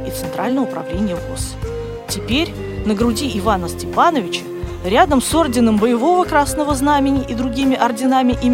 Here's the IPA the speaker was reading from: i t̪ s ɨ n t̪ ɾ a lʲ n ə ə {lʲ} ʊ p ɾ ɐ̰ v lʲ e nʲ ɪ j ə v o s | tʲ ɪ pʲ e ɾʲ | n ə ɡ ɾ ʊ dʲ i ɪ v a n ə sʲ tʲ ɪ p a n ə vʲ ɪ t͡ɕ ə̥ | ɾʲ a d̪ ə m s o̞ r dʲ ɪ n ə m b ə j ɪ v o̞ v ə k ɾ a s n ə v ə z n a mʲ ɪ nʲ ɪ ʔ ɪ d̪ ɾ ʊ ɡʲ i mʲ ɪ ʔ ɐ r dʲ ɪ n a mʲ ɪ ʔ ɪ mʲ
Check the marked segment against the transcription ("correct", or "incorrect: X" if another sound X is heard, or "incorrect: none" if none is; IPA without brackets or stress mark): incorrect: none